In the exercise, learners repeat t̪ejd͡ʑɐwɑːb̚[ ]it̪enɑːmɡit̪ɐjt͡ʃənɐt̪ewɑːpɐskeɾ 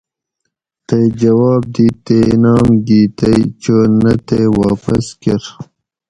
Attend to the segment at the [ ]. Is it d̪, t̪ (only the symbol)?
d̪